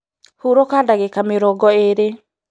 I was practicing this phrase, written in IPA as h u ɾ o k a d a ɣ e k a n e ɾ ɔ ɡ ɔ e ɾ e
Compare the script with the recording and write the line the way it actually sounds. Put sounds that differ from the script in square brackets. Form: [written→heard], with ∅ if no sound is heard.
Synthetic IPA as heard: h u ɾ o k a d a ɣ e k a [n→m] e ɾ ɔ ɡ ɔ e ɾ e